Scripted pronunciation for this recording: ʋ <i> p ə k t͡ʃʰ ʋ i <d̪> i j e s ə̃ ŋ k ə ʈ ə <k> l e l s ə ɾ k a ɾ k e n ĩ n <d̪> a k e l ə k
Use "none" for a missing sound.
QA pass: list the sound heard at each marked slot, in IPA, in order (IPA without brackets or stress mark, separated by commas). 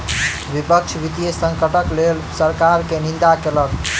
i, t̪, k, d̪